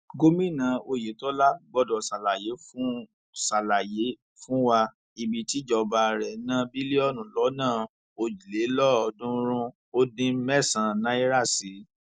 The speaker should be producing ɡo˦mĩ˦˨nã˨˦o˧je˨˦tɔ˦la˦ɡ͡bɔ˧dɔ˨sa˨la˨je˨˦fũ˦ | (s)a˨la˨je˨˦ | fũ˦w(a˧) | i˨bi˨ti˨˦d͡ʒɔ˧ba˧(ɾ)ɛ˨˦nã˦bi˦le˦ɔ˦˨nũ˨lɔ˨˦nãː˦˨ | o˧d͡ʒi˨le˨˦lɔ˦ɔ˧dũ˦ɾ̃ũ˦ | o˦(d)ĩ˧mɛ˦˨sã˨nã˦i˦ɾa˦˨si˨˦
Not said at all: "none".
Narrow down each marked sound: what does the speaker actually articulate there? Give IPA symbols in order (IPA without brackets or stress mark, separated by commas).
s, a˧, ɾ, d